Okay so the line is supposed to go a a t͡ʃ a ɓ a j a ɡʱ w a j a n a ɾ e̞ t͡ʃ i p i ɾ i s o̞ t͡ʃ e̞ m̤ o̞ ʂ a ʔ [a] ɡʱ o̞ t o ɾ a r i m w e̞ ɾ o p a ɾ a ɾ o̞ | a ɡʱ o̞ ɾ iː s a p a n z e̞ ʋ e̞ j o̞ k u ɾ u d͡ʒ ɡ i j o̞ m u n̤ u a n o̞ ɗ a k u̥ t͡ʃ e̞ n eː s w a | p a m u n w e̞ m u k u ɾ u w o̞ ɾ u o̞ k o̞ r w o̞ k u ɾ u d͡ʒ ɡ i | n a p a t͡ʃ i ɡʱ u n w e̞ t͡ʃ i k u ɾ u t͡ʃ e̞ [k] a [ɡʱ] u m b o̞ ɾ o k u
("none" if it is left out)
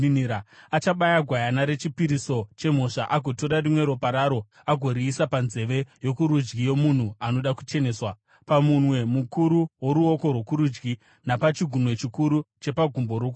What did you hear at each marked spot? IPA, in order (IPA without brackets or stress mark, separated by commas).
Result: a, p, ɡʱ